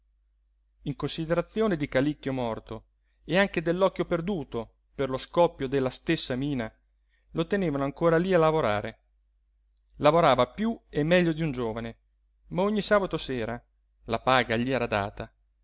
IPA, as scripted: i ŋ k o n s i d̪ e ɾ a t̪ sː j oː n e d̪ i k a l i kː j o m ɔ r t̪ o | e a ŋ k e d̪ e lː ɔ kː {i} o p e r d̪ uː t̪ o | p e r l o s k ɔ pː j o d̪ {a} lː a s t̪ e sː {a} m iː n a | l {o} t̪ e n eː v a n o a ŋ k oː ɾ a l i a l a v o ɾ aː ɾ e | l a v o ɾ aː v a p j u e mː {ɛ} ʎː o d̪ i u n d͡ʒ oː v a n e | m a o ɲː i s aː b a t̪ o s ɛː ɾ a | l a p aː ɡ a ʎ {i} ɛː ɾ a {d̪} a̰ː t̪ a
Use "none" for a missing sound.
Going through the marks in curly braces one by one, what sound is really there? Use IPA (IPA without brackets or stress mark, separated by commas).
j, e, a, o, ɛ, i, d̪